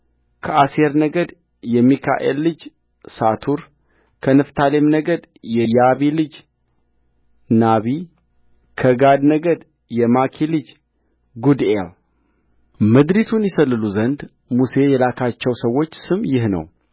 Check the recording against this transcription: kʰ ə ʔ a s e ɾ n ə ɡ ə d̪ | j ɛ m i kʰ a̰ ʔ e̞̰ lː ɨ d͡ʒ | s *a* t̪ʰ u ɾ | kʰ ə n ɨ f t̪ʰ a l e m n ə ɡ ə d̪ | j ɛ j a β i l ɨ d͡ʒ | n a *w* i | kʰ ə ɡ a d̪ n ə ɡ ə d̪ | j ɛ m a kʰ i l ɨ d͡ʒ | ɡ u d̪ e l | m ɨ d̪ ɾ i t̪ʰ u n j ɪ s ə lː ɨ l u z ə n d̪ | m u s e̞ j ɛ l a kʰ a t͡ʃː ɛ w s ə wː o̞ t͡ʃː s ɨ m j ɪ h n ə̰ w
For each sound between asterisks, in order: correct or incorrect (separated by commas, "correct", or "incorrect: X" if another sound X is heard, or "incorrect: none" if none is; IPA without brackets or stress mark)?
correct, incorrect: β